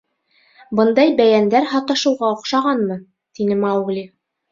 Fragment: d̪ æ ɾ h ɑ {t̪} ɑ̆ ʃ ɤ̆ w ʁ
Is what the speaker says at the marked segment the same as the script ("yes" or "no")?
yes